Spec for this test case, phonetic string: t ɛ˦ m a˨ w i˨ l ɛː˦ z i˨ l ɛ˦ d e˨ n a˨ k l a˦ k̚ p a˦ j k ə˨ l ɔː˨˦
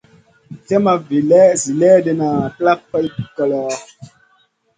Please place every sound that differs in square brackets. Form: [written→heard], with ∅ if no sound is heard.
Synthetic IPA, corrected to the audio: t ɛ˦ m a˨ [w→v] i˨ l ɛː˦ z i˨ l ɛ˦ d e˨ n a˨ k l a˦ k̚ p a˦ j k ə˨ l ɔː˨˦